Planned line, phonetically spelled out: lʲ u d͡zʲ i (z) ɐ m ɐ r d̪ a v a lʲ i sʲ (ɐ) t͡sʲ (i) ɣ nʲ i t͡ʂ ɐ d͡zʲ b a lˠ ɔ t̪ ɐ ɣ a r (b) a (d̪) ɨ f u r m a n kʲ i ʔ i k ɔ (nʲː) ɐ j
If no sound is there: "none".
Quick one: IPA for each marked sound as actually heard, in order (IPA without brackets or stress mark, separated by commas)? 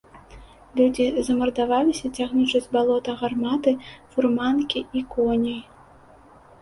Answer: z, ɐ, a, m, t̪, nʲ